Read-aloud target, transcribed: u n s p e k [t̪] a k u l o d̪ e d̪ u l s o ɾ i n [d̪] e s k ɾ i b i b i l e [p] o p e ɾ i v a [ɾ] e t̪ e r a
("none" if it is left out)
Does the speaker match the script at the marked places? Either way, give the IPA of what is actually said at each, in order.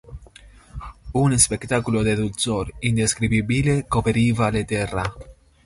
t̪, d̪, k, l

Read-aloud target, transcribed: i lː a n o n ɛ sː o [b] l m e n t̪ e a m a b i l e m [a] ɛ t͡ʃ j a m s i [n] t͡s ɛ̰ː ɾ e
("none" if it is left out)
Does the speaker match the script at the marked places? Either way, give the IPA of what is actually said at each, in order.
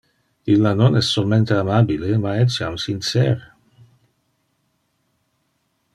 none, a, n

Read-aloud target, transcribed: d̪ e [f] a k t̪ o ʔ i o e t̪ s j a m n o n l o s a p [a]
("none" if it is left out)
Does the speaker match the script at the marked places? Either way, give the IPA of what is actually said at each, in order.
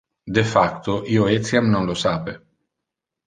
f, e

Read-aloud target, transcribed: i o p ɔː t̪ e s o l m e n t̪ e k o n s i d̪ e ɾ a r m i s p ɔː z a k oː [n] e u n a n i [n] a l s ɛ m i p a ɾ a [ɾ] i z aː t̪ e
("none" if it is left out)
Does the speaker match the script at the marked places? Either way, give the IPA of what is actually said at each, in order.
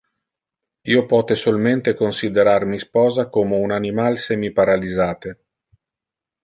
m, m, l

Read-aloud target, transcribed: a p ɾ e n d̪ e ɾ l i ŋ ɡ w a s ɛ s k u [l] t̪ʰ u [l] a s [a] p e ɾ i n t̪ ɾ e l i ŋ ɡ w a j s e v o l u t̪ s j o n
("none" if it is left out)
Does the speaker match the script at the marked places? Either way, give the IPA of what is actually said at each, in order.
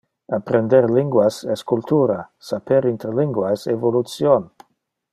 l, ɾ, a

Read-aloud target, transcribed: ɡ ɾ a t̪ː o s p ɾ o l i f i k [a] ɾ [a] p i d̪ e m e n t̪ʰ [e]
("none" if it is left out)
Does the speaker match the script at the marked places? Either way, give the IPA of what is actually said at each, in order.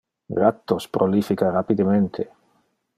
a, a, e

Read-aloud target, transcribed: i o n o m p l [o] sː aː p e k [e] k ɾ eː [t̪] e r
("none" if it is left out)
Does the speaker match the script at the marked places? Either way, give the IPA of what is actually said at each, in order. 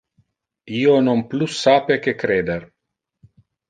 u, e, d̪

